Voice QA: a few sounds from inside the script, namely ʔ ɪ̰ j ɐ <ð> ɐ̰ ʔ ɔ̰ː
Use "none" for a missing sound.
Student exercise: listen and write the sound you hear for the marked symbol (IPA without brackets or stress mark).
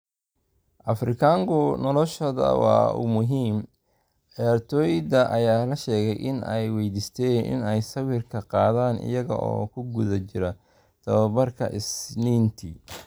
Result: ɣ